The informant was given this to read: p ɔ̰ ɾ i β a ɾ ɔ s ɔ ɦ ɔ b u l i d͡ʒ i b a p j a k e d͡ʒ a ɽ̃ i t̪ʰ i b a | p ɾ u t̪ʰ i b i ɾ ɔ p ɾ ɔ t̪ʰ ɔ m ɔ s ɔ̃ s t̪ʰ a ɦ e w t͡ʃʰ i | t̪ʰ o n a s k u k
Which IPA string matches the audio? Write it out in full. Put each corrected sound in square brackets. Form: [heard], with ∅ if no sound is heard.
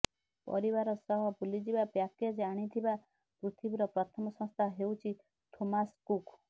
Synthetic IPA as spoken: p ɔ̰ ɾ i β a ɾ ɔ s ɔ ɦ ɔ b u l i d͡ʒ i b a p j a k e d͡ʒ a ɽ̃ i t̪ʰ i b a | p ɾ u t̪ʰ i b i ɾ ɔ p ɾ ɔ t̪ʰ ɔ m ɔ s ɔ̃ s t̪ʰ a ɦ e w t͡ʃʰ i | t̪ʰ o [m] a s k u k